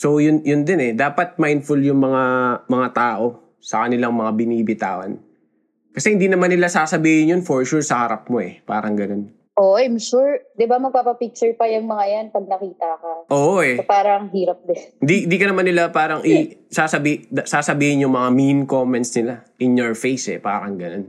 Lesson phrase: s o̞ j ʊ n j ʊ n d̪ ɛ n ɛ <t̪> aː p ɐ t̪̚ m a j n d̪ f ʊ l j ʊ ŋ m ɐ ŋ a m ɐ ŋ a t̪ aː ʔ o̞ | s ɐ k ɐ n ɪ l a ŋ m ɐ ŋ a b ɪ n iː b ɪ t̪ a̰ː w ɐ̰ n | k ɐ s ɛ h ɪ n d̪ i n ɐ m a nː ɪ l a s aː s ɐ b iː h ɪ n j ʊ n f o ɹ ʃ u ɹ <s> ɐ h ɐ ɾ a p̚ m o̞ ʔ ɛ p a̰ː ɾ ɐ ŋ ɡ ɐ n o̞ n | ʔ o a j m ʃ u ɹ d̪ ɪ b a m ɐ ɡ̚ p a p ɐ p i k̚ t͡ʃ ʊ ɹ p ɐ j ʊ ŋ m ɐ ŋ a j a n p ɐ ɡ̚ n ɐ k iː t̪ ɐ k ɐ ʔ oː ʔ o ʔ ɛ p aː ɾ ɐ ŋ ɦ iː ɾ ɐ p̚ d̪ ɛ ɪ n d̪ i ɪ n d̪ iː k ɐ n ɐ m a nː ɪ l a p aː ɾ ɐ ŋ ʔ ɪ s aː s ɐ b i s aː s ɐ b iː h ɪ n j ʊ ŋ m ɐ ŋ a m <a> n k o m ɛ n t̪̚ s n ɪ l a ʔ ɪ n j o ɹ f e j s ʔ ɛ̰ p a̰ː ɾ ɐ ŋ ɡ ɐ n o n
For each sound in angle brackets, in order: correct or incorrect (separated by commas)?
incorrect, correct, incorrect